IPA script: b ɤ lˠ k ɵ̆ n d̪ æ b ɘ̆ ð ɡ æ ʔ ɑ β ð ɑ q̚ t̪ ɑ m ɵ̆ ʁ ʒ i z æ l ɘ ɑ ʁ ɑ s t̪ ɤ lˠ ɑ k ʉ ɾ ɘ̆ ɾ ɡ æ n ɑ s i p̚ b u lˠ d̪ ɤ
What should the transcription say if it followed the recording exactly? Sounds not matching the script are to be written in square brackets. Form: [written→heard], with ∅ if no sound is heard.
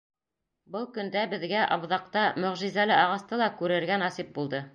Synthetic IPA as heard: b ɤ lˠ k ɵ̆ n d̪ æ b ɘ̆ ð ɡ æ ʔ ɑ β ð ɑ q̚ t̪ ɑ m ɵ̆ ʁ ʒ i z æ l ɘ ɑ ʁ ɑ s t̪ ɤ lˠ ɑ k ʉ ɾ ɘ̆ ɾ ɡ æ n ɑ s i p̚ b u lˠ d̪ ɤ